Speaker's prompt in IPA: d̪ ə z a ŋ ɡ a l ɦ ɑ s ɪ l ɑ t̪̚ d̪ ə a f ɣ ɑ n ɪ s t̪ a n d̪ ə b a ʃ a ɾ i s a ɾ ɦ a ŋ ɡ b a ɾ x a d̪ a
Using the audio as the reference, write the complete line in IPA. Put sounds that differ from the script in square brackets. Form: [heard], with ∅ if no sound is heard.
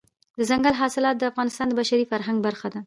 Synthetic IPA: d̪ ə z a ŋ ɡ a l ɦ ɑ s ɪ l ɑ t̪̚ d̪ ə a f ɣ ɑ n ɪ s t̪ [ɑ] n d̪ ə b a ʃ a ɾ i [f] a ɾ ɦ a ŋ ɡ b a ɾ x a d̪ a